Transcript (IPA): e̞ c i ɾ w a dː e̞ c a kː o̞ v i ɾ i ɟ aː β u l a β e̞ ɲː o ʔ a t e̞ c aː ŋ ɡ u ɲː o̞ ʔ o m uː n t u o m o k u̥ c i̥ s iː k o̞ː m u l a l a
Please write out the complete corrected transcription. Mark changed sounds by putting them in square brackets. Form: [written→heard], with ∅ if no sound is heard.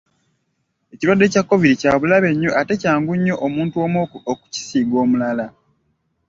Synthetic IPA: e̞ c i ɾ w a dː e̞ c a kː o̞ v i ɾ i [ɟ→c] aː β u l a β e̞ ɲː o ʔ a t e̞ c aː ŋ ɡ u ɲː o̞ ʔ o m uː n t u o m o k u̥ c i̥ s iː [k→ɡ] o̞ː m u l a l a